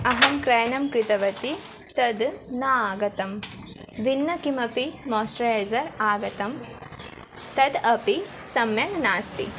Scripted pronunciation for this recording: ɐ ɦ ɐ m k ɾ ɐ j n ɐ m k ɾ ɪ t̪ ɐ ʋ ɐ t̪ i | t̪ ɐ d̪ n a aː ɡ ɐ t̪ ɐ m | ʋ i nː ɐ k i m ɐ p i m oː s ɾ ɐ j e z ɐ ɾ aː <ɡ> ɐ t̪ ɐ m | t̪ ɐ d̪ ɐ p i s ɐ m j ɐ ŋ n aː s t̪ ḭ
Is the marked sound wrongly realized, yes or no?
no